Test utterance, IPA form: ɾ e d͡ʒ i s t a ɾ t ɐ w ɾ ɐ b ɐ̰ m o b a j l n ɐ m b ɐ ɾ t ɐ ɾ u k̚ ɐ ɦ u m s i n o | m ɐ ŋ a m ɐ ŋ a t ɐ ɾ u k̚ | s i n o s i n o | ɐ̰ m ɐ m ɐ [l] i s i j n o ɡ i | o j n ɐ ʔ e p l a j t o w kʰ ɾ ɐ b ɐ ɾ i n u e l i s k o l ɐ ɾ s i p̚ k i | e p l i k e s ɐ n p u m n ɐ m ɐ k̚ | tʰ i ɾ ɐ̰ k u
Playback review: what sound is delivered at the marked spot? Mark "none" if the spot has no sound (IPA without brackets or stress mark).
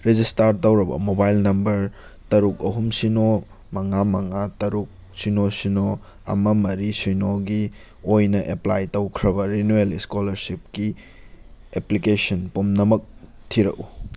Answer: ɾ